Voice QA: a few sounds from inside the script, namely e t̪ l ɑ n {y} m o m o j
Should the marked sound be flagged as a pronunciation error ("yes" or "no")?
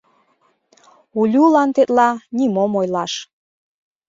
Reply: yes